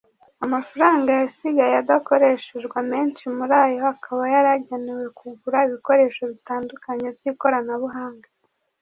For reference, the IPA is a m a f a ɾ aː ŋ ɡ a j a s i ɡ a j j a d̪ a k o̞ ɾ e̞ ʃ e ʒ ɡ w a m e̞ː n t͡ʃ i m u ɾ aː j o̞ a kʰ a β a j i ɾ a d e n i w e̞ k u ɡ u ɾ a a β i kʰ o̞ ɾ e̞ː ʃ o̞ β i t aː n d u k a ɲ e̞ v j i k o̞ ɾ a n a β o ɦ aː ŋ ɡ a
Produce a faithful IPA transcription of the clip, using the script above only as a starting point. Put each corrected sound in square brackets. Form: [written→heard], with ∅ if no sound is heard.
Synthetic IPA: a m a f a ɾ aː ŋ ɡ a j a s i ɡ a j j a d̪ a k o̞ ɾ e̞ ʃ e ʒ ɡ w a m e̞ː n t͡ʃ i m u ɾ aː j o̞ a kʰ a β a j [i→a] ɾ a [d→ɟ] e n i w e̞ k u ɡ u ɾ a [a→i] β i [kʰ→k] o̞ ɾ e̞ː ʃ o̞ β i t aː n d u k a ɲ e̞ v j i k o̞ ɾ a n a β [o→u] ɦ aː ŋ ɡ a